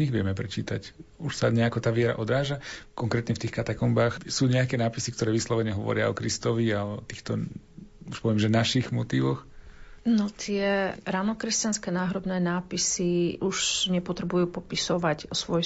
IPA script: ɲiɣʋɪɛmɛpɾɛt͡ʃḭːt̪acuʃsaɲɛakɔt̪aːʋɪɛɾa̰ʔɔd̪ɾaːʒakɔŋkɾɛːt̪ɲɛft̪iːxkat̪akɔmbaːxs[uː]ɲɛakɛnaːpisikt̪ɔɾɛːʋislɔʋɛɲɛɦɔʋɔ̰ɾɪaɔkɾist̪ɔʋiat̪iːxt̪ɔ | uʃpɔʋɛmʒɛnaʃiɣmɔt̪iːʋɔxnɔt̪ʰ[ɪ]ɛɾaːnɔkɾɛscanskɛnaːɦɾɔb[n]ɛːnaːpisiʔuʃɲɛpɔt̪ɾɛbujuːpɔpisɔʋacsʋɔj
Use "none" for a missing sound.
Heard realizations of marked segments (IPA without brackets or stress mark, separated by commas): uː, ɪ, n